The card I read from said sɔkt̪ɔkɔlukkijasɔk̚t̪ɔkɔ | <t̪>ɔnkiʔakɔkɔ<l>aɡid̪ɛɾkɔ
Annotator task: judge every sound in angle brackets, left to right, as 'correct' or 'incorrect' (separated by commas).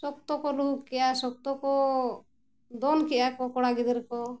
incorrect, incorrect